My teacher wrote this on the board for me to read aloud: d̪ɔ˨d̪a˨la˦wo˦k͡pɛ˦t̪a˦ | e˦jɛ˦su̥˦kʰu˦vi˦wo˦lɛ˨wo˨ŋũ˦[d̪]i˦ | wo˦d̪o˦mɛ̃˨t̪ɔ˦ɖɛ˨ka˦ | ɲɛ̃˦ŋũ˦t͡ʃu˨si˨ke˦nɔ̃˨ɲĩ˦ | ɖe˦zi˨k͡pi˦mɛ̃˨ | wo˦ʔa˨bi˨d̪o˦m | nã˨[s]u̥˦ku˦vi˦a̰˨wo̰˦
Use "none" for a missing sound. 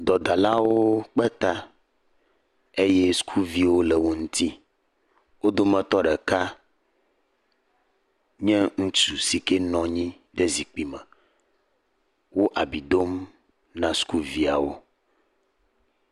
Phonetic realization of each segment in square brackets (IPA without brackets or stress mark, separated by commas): t̪, s